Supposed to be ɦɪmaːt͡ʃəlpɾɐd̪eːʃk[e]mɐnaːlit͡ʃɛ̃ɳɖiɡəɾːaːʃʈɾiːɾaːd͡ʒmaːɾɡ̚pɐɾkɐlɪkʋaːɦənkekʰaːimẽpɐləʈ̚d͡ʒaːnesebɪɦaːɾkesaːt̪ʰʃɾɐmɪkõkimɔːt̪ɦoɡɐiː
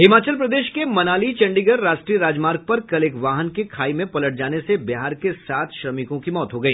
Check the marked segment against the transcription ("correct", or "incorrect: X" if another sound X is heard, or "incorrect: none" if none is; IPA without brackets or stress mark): correct